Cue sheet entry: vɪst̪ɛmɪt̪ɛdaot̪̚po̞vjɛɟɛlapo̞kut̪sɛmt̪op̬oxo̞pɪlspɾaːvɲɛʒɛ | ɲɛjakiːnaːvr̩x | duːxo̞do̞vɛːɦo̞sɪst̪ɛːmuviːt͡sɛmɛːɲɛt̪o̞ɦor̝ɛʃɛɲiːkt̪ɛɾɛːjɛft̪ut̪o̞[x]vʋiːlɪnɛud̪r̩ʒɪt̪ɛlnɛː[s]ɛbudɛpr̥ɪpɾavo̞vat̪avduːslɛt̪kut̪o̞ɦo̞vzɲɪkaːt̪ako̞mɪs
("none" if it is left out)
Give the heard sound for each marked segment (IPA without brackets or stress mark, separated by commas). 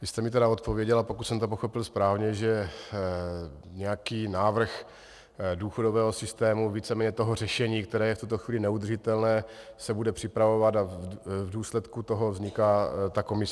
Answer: x, s